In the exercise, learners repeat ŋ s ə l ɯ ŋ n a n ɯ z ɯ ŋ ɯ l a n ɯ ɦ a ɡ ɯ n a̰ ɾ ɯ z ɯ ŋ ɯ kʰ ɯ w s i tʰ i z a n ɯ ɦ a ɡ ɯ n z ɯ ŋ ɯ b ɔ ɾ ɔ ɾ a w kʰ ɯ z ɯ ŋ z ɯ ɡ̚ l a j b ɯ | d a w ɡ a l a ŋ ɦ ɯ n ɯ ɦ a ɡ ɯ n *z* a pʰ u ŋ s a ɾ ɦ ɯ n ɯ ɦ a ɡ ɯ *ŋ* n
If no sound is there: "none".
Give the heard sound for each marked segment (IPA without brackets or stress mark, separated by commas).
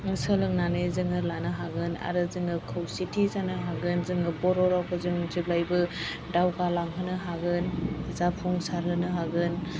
z, none